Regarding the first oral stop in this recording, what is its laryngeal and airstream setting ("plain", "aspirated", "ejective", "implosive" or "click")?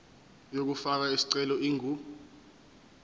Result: plain